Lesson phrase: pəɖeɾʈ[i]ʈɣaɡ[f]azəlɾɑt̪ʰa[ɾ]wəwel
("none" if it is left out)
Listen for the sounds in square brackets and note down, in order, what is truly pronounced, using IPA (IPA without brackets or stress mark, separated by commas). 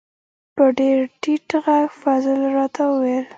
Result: i, f, none